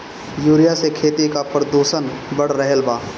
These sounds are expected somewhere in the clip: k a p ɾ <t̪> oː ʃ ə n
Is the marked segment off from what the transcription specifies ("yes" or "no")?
yes